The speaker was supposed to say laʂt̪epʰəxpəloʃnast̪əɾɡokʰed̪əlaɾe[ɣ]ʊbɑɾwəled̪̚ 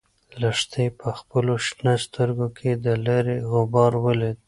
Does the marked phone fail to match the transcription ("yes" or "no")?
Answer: no